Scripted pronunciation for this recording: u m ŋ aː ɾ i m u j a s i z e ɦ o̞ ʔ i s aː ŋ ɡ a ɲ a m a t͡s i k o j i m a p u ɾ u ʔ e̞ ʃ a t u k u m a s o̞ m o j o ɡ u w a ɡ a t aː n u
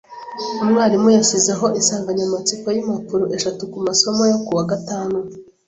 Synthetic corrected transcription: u m ŋ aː ɾ i m u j a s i z e ɦ o̞ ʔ i s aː ŋ ɡ a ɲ a m a t͡s i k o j i m a p u ɾ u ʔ e̞ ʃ a t u k u m a s o̞ m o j o k u w a ɡ a t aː n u